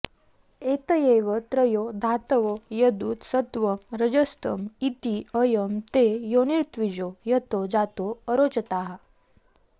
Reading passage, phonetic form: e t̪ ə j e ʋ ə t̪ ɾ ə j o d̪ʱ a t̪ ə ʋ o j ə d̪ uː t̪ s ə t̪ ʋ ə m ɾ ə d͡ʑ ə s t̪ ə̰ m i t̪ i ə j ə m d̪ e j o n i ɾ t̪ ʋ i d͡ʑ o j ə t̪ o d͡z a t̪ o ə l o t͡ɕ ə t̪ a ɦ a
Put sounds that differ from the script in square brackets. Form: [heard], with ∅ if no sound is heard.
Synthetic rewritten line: e t̪ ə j e ʋ ə t̪ ɾ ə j o d̪ʱ a t̪ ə ʋ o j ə d̪ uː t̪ s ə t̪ ʋ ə m ɾ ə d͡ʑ ə s t̪ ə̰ m i t̪ i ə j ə m [t̪] e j o n i ɾ t̪ ʋ i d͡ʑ o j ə t̪ o d͡z a t̪ o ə [ɾ] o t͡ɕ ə t̪ a ɦ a